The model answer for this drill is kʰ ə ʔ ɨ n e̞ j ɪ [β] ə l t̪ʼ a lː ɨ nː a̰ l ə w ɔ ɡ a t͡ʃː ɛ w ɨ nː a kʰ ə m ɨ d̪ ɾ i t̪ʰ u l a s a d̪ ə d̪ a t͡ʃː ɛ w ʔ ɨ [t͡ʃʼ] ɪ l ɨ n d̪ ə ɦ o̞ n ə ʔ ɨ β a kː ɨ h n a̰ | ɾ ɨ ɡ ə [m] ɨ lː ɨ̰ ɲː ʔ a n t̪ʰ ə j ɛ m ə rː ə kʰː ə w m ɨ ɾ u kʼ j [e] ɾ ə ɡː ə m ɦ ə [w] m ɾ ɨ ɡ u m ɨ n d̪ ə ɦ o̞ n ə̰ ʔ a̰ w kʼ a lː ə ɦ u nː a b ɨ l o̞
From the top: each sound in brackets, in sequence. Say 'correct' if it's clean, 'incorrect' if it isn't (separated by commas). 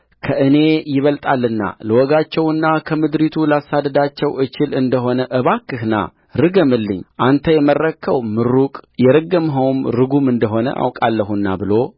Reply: correct, incorrect, correct, incorrect, correct